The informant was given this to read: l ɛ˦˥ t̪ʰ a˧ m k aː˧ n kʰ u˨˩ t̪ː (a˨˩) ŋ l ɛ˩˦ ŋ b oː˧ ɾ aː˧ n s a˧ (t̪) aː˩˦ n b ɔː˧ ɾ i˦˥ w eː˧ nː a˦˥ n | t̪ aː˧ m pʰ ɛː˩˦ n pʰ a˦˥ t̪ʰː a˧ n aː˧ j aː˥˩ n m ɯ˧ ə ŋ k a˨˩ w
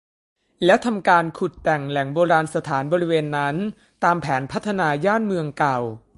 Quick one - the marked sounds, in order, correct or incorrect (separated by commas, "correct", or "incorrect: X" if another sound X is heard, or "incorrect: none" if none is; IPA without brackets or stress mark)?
incorrect: ɛ˨˩, incorrect: t̪ʰ